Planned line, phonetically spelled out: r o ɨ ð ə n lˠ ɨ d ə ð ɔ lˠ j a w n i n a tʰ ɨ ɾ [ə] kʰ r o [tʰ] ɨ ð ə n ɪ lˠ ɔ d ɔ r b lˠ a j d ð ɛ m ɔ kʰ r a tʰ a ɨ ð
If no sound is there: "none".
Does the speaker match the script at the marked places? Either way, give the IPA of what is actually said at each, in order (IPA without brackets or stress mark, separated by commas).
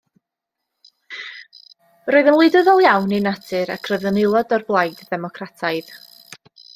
a, none